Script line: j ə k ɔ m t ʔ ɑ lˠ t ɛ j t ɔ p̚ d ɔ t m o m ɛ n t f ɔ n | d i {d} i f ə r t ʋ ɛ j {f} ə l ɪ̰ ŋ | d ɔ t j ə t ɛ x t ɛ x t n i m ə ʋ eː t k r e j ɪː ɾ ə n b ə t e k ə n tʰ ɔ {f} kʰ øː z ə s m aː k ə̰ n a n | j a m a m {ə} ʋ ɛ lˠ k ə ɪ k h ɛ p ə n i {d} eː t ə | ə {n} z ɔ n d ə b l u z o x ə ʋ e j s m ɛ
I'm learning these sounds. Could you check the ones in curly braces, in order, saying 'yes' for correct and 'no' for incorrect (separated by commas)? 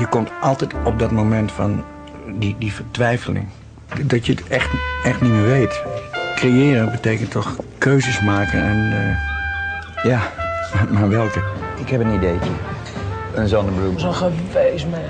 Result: yes, yes, no, no, yes, yes